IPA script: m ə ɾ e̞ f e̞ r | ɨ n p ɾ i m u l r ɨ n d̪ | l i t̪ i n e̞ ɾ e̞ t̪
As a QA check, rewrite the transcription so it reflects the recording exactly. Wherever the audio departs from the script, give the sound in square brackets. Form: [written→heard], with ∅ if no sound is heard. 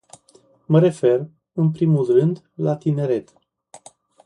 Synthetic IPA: m ə ɾ e̞ f e̞ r | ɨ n p ɾ i m u l r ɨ n d̪ | l [i→a] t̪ i n e̞ ɾ e̞ t̪